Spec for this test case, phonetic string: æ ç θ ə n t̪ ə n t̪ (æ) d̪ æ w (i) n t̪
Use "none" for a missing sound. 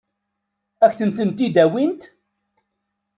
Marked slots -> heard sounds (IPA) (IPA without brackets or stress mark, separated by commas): i, i